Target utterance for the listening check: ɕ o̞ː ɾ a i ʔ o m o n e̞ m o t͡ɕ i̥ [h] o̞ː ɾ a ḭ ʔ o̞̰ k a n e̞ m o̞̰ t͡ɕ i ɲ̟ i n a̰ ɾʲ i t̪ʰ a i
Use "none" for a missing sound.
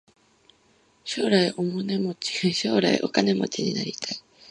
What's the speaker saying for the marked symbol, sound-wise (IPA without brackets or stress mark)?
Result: ɕ